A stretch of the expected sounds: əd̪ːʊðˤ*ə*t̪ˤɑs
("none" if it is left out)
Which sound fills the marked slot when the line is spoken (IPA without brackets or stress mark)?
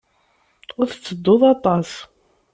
ɑ